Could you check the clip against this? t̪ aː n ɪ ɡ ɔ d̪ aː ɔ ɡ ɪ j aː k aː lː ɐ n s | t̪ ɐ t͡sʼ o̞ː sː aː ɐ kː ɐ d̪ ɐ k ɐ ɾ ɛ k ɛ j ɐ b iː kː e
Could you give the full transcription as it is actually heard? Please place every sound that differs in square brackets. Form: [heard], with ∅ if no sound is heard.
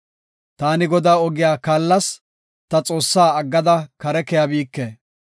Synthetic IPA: t̪ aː n ɪ ɡ ɔ d̪ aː ɔ ɡ ɪ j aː k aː lː ɐ [∅] s | t̪ ɐ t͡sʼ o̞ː sː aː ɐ [ɡː] ɐ d̪ ɐ k ɐ ɾ ɛ k ɛ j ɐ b iː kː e

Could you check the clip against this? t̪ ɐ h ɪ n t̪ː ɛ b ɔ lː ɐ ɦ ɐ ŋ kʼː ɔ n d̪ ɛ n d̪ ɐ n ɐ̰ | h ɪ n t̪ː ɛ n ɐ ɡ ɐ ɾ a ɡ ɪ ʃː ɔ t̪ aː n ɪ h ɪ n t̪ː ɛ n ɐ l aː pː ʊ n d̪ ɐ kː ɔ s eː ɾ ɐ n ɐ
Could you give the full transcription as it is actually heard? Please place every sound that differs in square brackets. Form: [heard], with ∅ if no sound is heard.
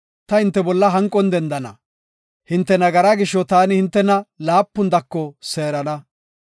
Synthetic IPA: t̪ ɐ h ɪ n t̪ː ɛ b ɔ lː ɐ ɦ ɐ ŋ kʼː ɔ n d̪ ɛ n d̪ ɐ n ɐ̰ | h ɪ n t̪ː ɛ n ɐ ɡ ɐ ɾ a ɡ ɪ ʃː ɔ t̪ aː n ɪ h ɪ n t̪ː ɛ n ɐ l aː pː ʊ n d̪ ɐ kː ɔ s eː ɾ ɐ n ɐ

